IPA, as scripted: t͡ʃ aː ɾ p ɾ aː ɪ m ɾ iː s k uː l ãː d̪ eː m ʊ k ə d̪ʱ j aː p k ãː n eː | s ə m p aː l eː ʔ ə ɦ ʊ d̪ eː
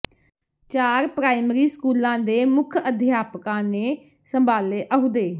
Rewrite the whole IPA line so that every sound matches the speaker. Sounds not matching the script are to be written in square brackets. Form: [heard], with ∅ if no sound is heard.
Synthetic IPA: t͡ʃ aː ɾ p ɾ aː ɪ m ɾ iː s k uː l ãː d̪ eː m ʊ [kʰ] ə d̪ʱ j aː p k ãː n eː | s ə m [b] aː l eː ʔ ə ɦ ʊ d̪ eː